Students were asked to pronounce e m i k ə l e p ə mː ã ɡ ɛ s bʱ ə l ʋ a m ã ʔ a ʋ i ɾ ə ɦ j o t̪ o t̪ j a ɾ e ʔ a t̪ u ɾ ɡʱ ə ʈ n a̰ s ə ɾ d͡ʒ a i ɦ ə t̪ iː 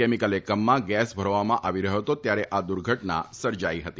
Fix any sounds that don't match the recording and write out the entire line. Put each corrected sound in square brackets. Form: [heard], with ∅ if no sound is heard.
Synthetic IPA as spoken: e m i k ə l e [k] ə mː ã ɡ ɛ s bʱ ə [ɾ] ʋ a m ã ʔ a ʋ i ɾ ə ɦ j o t̪ o t̪ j a ɾ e ʔ a [d̪] u ɾ ɡʱ ə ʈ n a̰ s ə ɾ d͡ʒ a i ɦ ə t̪ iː